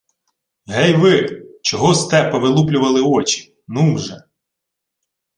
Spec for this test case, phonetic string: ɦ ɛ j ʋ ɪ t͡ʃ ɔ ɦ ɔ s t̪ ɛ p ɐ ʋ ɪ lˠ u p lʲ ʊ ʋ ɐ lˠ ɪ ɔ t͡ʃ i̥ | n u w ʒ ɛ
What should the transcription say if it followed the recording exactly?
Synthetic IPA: ɦ ɛ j ʋ ɪ t͡ʃ ɔ ɦ ɔ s t̪ ɛ p ɐ ʋ ɪ lˠ u p lʲ ʊ ʋ ɐ lˠ ɪ ɔ t͡ʃ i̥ | n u w ʒ ɛ